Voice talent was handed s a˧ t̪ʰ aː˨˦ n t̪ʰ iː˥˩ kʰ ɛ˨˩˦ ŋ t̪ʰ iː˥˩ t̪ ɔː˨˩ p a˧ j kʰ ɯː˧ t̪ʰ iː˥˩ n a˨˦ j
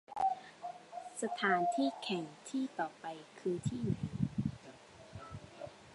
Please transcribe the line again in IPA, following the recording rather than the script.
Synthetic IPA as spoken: s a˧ t̪ʰ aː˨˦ n t̪ʰ iː˥˩ kʰ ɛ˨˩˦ ŋ t̪ʰ iː˥˩ t̪ ɔː˨˩ p a˧ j kʰ ɯː˧ t̪ʰ iː˥˩ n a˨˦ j